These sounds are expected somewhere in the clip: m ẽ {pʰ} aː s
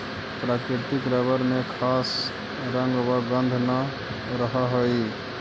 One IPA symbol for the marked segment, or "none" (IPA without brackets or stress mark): kʰ